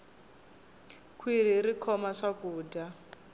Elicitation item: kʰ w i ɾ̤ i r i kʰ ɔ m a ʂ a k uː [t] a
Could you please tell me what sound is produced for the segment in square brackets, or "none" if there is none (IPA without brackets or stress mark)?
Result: d